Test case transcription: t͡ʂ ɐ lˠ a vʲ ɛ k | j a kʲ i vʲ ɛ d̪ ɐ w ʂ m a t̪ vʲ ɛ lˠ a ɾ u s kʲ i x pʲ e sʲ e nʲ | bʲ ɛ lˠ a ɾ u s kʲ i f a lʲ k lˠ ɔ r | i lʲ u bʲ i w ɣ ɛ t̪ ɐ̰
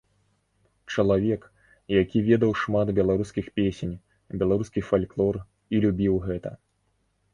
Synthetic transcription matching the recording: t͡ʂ ɐ lˠ a vʲ ɛ k | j a kʲ i vʲ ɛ d̪ ɐ w ʂ m a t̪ bʲ ɛ lˠ a ɾ u s kʲ i x pʲ e sʲ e nʲ | bʲ ɛ lˠ a ɾ u s kʲ i f a lʲ k lˠ ɔ r | i lʲ u bʲ i w ɣ ɛ t̪ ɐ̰

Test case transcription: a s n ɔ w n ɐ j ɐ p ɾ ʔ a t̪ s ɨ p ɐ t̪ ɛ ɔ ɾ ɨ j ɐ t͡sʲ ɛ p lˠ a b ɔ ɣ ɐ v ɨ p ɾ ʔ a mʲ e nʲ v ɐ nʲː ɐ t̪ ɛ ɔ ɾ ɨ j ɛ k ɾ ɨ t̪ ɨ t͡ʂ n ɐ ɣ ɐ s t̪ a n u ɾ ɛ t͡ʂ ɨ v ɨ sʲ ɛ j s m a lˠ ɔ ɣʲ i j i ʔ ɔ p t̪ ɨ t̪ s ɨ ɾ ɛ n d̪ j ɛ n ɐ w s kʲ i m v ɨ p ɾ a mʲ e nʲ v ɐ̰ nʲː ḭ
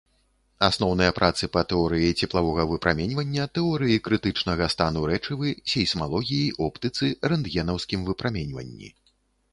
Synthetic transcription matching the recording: a s n ɔ w n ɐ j ɐ p ɾ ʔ a t̪ s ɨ p ɐ t̪ ɛ ɔ ɾ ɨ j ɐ t͡sʲ ɛ p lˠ a v ɔ ɣ ɐ v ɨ p ɾ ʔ a mʲ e nʲ v ɐ nʲː ɐ t̪ ɛ ɔ ɾ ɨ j i k ɾ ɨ t̪ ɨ t͡ʂ n ɐ ɣ ɐ s t̪ a n u ɾ ɛ t͡ʂ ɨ v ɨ sʲ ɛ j s m a lˠ ɔ ɣʲ i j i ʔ ɔ p t̪ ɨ t̪ s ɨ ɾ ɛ n d̪ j ɛ n ɐ w s kʲ i m v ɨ p ɾ a mʲ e nʲ v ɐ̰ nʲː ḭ

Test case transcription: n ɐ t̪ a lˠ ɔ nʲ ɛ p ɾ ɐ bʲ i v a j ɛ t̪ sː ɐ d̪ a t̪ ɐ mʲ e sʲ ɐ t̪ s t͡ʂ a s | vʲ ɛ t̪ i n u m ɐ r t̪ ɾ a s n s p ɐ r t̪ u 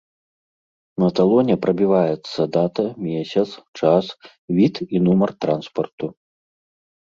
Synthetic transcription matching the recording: n ɐ t̪ a lˠ ɔ nʲ ɛ p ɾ ɐ bʲ i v a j ɛ t̪ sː ɐ d̪ a t̪ ɐ mʲ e sʲ ɐ t̪ s t͡ʂ a s | vʲ i t̪ i n u m ɐ r t̪ ɾ a n s p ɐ r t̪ u

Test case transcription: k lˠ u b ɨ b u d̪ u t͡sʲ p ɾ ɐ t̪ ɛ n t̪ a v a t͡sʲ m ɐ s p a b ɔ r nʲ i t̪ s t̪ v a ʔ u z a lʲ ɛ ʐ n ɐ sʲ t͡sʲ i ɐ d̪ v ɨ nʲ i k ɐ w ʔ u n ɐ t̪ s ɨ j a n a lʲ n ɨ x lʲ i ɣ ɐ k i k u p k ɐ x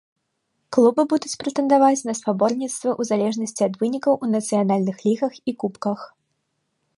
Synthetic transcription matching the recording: k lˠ u b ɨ b u d̪ u t͡sʲ p ɾ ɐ t̪ ɛ n d̪ a v a t͡sʲ n ɐ s p a b ɔ r nʲ i t̪ s t̪ v ɐ ʔ u z a lʲ ɛ ʐ n ɐ sʲ t͡sʲ i ɐ d̪ v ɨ nʲ i k ɐ w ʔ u n ɐ t̪ s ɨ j a n a lʲ n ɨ x lʲ i ɣ ɐ x i k u p k ɐ x

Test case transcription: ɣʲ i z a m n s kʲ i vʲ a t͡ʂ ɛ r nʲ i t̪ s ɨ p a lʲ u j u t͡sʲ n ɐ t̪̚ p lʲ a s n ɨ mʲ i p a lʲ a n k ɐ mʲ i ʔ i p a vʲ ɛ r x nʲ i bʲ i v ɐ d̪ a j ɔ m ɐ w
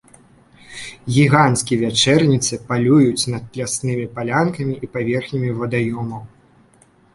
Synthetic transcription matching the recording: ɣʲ i ɣ a n s kʲ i vʲ a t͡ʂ ɛ r nʲ i t̪ s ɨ p a lʲ u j u t͡sʲ n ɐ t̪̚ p lʲ a s n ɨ mʲ i p a lʲ a n k ɐ mʲ i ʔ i p a vʲ ɛ r x nʲ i mʲ i v ɐ d̪ a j ɔ m ɐ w

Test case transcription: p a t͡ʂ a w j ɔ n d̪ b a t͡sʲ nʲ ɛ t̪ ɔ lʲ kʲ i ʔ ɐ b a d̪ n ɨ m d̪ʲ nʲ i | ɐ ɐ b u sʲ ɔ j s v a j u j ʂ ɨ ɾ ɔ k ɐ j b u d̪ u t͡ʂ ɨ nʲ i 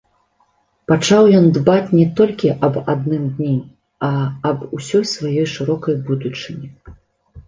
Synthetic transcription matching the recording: p a t͡ʂ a w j ɔ n d̪ b a t͡sʲ nʲ ɛ t̪ ɔ lʲ kʲ i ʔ ɐ b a d̪ n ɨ m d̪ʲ nʲ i | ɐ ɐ b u sʲ ɔ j s v a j ɔ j ʂ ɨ ɾ ɔ k ɐ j b u d̪ u t͡ʂ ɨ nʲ i

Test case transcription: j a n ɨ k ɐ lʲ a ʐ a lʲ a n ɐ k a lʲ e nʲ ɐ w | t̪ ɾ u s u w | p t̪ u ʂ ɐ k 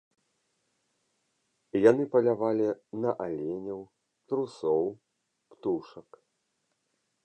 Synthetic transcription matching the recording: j a n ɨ p ɐ lʲ a v a lʲ i n ɐ ʔ a lʲ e nʲ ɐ w | t̪ ɾ u s ɔ w | p t̪ u ʂ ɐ k

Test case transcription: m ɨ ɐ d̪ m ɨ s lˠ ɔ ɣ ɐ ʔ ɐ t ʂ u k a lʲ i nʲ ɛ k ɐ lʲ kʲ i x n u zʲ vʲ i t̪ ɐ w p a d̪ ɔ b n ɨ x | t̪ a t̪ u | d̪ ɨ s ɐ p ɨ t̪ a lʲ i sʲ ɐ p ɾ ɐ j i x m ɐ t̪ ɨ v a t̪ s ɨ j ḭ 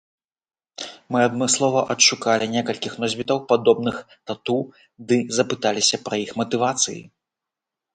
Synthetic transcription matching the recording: m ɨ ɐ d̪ m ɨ s lˠ ɔ v ɐ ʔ ɐ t ʂ u k a lʲ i nʲ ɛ k ɐ lʲ kʲ i x n ɔ zʲ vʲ i t̪ ɐ w p a d̪ ɔ b n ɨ x | t̪ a t̪ u | d̪ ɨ z ɐ p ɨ t̪ a lʲ i sʲ ɐ p ɾ ɐ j i x m ɐ t̪ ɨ v a t̪ s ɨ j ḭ

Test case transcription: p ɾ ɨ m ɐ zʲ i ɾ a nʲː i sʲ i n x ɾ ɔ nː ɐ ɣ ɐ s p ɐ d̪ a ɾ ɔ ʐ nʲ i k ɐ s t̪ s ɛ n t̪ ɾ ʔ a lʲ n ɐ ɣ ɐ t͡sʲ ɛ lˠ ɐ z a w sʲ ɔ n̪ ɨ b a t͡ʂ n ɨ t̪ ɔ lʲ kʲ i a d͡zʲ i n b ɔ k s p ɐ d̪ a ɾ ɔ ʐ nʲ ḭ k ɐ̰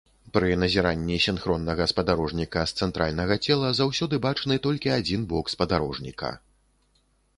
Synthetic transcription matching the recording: p ɾ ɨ n ɐ zʲ i ɾ a nʲː i sʲ i n x ɾ ɔ nː ɐ ɣ ɐ s p ɐ d̪ a ɾ ɔ ʐ nʲ i k ɐ s t̪ s ɛ n t̪ ɾ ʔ a lʲ n ɐ ɣ ɐ t͡sʲ ɛ lˠ ɐ z a w sʲ ɔ d̪ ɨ b a t͡ʂ n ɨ t̪ ɔ lʲ kʲ i a d͡zʲ i n b ɔ k s p ɐ d̪ a ɾ ɔ ʐ nʲ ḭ k ɐ̰

